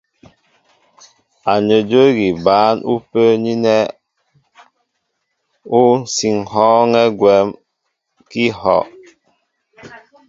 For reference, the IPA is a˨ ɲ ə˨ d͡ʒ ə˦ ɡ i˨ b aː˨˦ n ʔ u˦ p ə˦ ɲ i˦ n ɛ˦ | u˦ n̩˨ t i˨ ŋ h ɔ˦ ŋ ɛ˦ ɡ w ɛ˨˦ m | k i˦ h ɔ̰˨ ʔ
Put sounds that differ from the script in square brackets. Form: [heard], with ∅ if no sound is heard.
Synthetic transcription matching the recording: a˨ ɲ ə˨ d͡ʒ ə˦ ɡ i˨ b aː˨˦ n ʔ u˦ p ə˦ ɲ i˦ n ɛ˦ | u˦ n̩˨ [s] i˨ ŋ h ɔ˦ ŋ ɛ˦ ɡ w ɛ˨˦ m | k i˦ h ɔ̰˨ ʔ